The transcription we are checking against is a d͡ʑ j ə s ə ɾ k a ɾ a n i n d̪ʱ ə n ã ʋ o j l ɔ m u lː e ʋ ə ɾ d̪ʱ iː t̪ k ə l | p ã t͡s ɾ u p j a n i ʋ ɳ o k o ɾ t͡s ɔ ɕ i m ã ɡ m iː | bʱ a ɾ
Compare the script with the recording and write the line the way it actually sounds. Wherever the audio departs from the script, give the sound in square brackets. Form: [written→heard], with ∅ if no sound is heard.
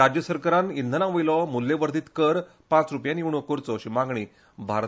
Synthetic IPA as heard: a d͡ʑ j ə s ə ɾ k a ɾ a n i n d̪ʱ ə n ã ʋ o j l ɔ m u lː e ʋ ə ɾ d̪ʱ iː t̪ k ə [l→ɾ] | p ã t͡s ɾ u p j a n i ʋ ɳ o k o ɾ t͡s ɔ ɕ i m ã ɡ [m→ɳ] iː | bʱ a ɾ